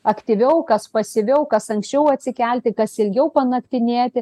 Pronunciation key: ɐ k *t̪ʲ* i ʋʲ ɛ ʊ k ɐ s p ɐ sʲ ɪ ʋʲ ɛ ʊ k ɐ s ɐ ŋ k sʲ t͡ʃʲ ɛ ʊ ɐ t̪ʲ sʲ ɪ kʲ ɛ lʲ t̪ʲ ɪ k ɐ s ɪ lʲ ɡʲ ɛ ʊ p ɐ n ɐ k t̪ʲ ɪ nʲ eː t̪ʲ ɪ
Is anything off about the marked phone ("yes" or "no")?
no